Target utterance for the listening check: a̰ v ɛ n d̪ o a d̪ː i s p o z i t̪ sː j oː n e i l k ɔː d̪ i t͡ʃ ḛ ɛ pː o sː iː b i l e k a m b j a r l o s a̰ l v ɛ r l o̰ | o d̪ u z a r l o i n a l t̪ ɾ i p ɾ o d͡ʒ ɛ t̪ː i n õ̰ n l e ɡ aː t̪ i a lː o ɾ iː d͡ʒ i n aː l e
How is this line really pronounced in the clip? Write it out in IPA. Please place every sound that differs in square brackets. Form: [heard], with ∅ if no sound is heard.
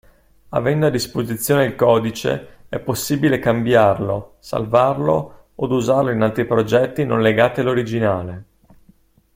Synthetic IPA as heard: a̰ v ɛ n d̪ o a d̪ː i s p o z i t̪ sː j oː n e i l k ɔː d̪ i t͡ʃ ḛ ɛ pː o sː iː b i l e k a m b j a r l o s a̰ l v [a] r l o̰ | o d̪ u z a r l o i n a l t̪ ɾ i p ɾ o d͡ʒ ɛ t̪ː i n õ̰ n l e ɡ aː t̪ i a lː o ɾ [i] d͡ʒ i n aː l e